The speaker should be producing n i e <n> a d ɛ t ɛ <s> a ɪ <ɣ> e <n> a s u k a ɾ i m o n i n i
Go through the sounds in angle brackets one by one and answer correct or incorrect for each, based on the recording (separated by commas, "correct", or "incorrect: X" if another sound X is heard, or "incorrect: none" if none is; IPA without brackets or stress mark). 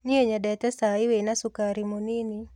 incorrect: ɲ, correct, incorrect: w, correct